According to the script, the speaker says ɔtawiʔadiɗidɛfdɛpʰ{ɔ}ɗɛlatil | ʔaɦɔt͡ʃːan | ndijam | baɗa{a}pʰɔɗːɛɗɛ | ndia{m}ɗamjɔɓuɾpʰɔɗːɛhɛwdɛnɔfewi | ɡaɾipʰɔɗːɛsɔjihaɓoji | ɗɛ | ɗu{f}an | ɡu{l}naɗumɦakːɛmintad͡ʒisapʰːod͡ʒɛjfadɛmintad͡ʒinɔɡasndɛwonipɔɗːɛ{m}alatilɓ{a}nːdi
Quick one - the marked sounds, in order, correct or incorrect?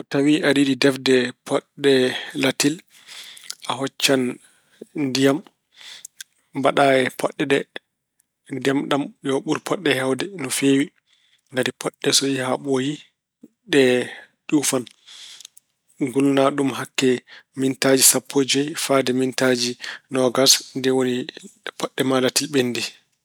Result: correct, incorrect, correct, correct, correct, correct, incorrect

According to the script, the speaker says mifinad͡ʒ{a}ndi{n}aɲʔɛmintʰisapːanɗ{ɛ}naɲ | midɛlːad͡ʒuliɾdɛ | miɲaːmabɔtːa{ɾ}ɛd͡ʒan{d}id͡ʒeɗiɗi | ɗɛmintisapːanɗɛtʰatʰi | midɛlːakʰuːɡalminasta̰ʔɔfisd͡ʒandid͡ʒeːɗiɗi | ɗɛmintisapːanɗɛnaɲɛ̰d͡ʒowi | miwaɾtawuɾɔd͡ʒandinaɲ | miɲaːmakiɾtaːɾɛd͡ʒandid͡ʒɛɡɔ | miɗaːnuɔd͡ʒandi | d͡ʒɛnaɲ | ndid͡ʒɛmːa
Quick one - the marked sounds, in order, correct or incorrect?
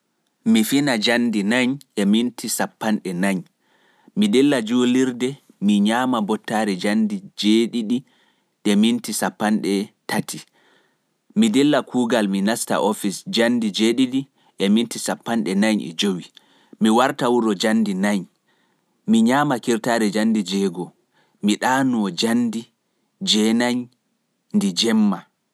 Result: correct, correct, correct, correct, correct

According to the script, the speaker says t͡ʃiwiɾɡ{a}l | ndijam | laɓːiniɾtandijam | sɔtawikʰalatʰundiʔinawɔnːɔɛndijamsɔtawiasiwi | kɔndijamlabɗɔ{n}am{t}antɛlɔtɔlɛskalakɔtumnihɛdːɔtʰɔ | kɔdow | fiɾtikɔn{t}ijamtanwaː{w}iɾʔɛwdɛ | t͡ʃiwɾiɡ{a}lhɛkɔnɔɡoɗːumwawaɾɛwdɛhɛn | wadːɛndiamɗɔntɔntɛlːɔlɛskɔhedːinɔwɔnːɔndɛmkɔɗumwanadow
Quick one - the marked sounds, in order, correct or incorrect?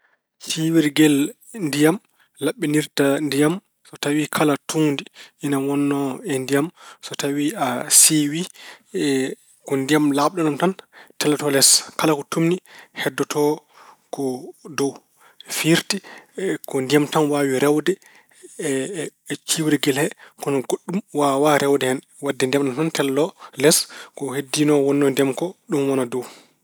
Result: incorrect, correct, correct, incorrect, correct, incorrect

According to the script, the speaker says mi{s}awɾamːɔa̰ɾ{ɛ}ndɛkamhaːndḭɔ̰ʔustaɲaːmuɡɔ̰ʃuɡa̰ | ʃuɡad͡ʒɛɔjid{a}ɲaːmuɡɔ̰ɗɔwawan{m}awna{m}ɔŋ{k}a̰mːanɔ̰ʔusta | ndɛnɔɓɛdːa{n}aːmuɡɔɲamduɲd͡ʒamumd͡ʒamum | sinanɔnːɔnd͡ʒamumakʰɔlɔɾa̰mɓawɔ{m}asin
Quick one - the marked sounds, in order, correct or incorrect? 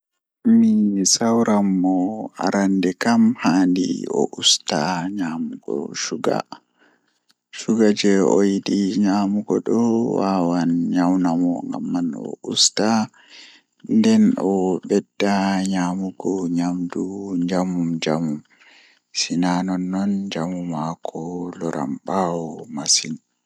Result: correct, incorrect, incorrect, incorrect, correct, incorrect, incorrect, correct

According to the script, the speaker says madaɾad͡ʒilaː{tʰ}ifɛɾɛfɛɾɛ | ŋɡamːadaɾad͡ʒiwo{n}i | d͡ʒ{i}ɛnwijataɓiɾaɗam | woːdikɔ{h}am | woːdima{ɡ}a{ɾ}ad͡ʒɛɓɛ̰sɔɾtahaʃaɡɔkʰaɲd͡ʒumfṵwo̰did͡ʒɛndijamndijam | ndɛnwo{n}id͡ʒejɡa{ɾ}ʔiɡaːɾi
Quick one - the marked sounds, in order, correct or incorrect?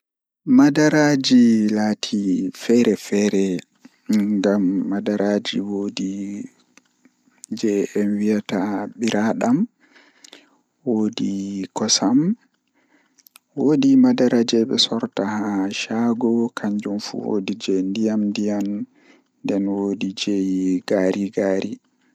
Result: correct, incorrect, incorrect, incorrect, incorrect, correct, incorrect, correct

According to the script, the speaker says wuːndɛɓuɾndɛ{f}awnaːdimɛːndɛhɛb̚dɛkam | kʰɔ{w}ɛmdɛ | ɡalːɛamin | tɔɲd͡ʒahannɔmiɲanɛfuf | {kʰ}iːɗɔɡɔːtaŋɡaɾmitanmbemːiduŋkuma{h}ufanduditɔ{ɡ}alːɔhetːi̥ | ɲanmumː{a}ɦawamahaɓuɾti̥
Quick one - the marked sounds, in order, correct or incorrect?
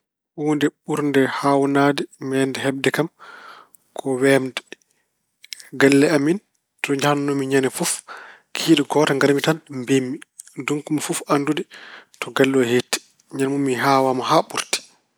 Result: incorrect, correct, correct, incorrect, correct, incorrect

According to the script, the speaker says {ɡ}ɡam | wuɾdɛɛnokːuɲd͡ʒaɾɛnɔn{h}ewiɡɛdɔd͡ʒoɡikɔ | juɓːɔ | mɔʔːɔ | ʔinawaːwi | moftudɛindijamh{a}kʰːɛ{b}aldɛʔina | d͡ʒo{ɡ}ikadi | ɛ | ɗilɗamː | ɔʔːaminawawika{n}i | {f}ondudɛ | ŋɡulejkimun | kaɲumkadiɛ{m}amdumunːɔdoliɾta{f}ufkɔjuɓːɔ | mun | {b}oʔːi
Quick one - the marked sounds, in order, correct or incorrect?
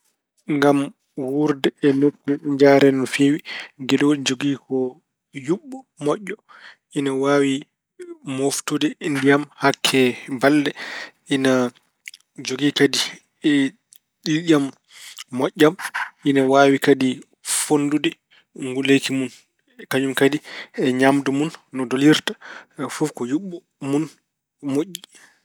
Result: incorrect, incorrect, correct, correct, correct, incorrect, correct, incorrect, correct, incorrect

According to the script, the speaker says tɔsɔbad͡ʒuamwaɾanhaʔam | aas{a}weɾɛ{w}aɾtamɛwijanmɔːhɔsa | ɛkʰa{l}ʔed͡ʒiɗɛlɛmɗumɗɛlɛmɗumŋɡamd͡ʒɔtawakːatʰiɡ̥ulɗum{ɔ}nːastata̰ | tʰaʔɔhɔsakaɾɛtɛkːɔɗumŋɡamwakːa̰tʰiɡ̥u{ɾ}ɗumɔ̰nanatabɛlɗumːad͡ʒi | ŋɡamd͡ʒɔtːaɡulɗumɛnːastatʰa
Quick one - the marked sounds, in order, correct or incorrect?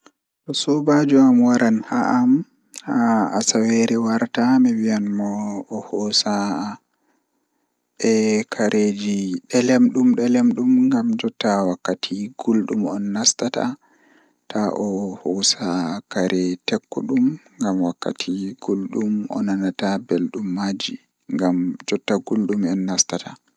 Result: correct, correct, incorrect, correct, incorrect

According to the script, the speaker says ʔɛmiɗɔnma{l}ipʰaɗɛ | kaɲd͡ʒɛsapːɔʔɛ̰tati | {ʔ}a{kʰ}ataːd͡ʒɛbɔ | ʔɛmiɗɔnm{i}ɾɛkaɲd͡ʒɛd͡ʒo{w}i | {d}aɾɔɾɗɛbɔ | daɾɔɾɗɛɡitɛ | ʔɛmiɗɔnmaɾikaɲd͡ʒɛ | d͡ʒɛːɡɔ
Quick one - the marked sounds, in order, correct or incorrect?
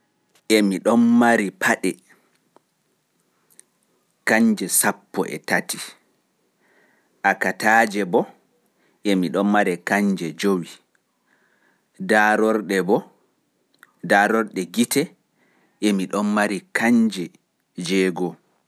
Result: incorrect, correct, incorrect, incorrect, correct, correct

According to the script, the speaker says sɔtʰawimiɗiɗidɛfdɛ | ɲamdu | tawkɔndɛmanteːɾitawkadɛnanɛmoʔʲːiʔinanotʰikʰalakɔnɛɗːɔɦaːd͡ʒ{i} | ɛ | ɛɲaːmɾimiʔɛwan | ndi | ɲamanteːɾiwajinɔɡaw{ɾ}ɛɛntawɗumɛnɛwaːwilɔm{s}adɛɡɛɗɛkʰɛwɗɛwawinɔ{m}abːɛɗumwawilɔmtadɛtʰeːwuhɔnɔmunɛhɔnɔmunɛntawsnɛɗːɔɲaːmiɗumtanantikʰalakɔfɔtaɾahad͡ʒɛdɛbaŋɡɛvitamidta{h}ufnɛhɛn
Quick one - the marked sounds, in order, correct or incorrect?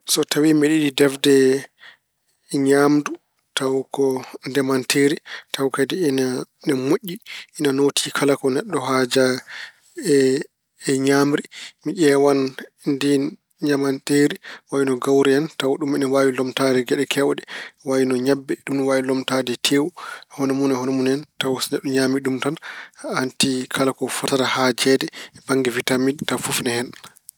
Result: incorrect, correct, incorrect, incorrect, incorrect

